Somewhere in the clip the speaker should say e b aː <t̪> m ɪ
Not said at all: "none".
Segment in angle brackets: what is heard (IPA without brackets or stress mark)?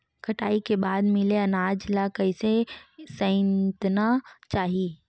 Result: d̪